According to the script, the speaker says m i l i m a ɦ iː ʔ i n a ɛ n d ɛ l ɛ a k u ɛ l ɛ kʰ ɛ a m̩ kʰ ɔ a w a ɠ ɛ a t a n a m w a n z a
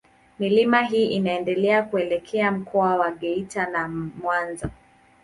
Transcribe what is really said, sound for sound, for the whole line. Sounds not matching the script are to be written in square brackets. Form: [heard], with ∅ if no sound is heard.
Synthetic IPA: m i l i m a ɦ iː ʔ i n a ɛ n d ɛ l ɛ a k u ɛ l ɛ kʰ ɛ a m̩ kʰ ɔ a w a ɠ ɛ [i] t a n a m w a n z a